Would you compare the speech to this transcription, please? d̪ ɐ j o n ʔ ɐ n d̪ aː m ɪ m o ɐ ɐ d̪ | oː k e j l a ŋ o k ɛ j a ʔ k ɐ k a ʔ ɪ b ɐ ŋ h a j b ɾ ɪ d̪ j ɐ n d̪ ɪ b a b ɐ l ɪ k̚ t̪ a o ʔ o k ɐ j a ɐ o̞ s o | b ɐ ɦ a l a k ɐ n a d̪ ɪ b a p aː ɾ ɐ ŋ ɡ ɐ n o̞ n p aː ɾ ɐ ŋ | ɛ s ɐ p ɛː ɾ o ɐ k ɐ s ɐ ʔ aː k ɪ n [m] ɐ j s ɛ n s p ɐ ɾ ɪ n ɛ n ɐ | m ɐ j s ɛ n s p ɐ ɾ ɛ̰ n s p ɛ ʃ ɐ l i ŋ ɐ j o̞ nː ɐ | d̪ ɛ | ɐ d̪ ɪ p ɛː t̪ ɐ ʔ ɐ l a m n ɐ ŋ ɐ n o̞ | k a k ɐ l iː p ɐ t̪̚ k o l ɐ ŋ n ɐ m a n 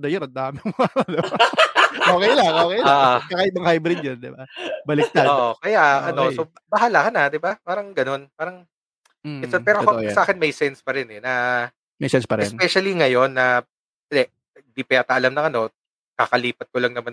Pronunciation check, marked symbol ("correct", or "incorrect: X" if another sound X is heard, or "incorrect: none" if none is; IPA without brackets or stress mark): correct